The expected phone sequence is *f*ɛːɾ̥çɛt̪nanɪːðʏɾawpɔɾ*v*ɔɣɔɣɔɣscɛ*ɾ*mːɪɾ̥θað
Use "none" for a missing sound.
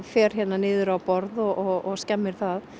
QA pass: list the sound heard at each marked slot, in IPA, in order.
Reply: f, ð, none

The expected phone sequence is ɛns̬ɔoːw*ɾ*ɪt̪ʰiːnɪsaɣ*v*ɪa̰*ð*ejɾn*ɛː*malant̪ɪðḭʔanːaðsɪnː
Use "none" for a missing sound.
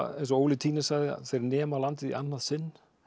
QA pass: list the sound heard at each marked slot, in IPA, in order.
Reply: l, ð, θ, ɛː

